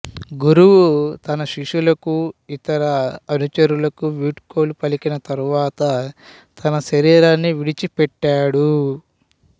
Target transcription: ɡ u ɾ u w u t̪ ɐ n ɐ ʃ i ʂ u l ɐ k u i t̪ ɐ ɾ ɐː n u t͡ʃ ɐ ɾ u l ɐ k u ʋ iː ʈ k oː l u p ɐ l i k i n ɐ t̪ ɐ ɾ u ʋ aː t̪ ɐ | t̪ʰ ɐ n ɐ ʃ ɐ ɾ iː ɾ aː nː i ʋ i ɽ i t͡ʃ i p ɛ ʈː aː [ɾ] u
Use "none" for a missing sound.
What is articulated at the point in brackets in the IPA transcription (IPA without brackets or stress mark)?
ɽ